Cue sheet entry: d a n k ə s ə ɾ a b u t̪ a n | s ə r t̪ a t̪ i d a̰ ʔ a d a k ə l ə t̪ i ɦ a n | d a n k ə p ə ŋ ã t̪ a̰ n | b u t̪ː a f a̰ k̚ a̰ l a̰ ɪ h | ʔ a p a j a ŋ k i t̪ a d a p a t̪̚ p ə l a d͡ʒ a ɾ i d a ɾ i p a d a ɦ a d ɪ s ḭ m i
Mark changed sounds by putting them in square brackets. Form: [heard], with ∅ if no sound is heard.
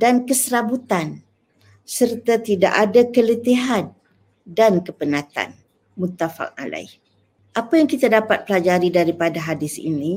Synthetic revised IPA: d a n k ə s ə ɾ a b u t̪ a n | s ə r t̪ a t̪ i d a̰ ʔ a d a k ə l ə t̪ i ɦ a n | d a n k ə p ə [n] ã t̪ a̰ n | [m] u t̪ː a f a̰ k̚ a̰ l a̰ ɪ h | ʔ a p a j a ŋ k i t̪ a d a p a t̪̚ p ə l a d͡ʒ a ɾ i d a ɾ i p a d a ɦ a d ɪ s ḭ [n] i